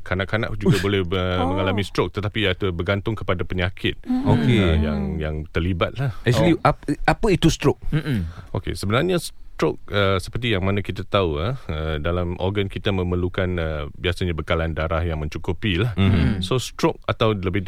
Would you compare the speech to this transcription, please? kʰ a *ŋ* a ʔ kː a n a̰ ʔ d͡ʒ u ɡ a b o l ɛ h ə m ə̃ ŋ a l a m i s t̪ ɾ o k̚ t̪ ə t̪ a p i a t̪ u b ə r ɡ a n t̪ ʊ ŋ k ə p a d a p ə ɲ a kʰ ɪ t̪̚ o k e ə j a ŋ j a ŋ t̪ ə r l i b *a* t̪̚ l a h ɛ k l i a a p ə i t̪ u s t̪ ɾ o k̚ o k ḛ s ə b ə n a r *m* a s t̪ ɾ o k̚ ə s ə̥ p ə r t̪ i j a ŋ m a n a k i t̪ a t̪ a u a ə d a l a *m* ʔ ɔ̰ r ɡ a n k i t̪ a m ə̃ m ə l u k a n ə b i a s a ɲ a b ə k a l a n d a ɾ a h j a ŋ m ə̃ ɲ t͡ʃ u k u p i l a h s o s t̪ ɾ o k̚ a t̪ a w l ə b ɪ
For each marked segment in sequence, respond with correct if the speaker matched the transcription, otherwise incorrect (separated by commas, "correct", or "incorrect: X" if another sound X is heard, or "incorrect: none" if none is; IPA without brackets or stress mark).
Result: incorrect: n, correct, incorrect: ɲ, correct